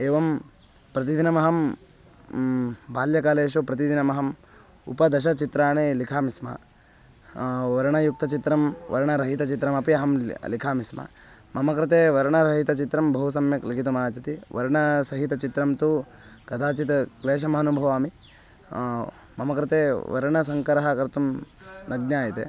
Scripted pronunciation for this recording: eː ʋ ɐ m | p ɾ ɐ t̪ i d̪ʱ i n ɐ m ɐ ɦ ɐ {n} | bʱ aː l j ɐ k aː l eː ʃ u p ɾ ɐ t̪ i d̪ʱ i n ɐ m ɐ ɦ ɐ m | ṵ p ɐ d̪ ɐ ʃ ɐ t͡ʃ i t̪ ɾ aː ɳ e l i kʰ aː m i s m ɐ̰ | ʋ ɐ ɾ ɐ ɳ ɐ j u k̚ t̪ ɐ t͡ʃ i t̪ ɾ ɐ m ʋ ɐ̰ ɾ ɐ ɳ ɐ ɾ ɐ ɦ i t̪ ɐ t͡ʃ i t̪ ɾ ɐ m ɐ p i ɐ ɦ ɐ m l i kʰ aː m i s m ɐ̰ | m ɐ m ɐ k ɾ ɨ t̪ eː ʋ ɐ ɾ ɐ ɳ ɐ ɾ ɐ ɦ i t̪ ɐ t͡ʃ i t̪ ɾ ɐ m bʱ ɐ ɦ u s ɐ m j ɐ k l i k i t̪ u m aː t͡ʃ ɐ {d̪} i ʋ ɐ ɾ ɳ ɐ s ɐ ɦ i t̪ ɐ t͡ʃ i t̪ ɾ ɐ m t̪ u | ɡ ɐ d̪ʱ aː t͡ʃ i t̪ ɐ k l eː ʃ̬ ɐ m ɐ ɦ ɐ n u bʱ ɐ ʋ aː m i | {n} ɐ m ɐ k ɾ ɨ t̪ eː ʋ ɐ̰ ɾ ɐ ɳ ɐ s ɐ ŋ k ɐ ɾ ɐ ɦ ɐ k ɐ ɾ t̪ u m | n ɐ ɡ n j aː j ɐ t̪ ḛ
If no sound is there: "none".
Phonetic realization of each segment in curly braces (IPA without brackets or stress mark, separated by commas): m, t̪, m